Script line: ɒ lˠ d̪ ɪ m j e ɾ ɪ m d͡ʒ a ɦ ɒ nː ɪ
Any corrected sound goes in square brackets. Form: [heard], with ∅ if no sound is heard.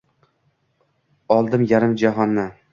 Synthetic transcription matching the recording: ɒ lˠ d̪ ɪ m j [a] ɾ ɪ m d͡ʒ a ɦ ɒ nː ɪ